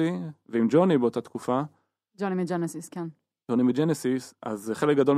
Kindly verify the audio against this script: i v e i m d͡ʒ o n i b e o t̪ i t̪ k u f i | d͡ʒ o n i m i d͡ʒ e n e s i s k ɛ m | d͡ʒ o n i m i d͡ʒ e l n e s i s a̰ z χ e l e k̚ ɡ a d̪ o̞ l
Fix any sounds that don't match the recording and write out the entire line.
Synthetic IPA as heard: i v e i m d͡ʒ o n i b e o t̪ a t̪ k u f a | d͡ʒ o n i m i d͡ʒ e n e s i s k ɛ n | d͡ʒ o n i m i d͡ʒ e n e s i s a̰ z χ e l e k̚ ɡ a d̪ o̞ l